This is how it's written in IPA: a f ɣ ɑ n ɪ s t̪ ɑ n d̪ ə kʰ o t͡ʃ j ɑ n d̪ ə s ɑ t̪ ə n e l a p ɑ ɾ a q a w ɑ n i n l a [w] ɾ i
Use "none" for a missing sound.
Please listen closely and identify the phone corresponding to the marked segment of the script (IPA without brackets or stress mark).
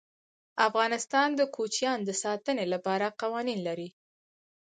none